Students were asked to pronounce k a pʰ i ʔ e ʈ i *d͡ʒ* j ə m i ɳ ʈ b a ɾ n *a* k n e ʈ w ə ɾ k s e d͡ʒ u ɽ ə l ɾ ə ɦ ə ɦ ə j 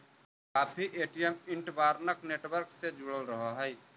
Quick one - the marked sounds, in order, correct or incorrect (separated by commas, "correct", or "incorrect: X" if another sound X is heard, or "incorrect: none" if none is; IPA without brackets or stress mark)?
incorrect: none, incorrect: ə